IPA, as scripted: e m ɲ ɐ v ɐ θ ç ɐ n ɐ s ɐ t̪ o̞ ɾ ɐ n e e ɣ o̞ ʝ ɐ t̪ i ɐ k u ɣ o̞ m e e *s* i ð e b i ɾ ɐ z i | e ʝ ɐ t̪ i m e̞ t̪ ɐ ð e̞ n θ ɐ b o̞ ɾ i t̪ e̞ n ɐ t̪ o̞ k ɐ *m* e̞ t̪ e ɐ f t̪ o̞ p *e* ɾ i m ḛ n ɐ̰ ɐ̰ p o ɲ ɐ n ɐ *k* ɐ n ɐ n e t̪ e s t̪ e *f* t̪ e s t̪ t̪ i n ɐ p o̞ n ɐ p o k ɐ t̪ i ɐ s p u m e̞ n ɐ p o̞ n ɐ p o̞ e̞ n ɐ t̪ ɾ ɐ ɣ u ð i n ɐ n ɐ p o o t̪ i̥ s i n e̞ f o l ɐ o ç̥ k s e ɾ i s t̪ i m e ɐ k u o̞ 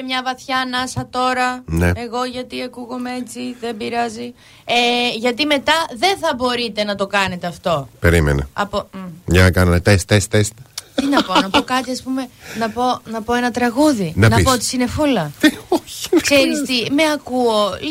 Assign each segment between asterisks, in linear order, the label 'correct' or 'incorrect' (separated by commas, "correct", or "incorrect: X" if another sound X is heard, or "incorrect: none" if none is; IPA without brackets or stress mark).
incorrect: t͡s, incorrect: n, correct, correct, incorrect: s